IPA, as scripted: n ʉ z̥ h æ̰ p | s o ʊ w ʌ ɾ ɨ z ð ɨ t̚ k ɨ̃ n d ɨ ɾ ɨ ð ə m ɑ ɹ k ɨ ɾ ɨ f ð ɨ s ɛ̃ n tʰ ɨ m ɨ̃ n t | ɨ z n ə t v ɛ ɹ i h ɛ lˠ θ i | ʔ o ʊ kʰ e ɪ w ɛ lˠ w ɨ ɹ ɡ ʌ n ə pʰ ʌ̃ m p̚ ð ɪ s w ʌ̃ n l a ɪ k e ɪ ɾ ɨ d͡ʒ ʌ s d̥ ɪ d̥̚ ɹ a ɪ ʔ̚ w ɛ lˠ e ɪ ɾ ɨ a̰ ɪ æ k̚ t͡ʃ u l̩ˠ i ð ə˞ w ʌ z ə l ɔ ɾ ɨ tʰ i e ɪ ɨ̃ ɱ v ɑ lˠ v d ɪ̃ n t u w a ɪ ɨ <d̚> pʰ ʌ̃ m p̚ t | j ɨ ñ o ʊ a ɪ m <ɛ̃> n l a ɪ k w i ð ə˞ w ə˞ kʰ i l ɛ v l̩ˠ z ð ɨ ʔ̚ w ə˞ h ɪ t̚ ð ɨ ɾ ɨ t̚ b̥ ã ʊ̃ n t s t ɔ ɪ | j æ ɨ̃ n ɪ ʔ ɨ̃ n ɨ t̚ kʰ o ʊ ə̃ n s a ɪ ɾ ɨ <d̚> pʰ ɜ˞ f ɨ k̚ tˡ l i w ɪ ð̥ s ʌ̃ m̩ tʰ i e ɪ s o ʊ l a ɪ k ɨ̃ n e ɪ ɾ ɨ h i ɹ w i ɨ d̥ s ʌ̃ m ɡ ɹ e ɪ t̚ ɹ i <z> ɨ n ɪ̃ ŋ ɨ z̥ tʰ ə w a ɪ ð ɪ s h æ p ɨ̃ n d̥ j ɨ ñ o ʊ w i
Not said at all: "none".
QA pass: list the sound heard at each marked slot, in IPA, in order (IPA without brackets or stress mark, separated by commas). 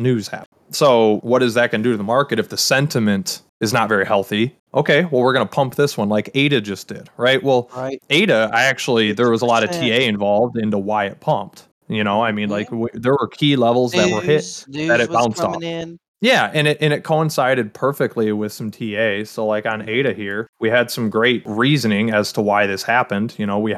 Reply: t̚, ĩ, d̚, z